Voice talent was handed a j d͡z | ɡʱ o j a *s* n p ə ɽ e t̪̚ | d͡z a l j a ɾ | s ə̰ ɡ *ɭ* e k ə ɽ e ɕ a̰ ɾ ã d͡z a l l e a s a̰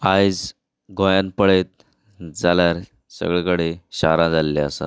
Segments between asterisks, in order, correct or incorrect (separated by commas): incorrect, correct